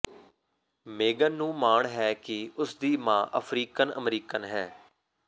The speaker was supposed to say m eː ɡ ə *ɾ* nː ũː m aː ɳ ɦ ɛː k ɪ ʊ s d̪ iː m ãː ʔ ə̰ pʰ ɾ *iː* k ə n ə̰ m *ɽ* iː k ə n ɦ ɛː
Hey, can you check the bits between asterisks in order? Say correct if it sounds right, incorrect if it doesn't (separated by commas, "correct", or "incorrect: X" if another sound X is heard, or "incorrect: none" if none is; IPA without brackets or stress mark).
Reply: incorrect: none, correct, incorrect: ɾ